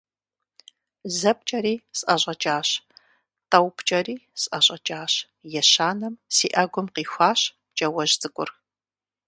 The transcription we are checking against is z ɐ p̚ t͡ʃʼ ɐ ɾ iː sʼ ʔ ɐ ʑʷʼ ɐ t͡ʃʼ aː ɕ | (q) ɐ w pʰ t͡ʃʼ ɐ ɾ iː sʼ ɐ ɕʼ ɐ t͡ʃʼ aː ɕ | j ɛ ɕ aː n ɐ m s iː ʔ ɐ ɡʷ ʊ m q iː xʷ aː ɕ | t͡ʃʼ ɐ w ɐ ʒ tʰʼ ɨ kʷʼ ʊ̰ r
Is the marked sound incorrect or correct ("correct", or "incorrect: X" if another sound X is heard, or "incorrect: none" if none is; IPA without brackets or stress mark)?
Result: incorrect: t